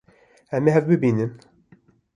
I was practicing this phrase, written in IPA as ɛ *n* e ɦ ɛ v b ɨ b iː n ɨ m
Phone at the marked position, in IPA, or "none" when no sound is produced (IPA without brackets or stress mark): m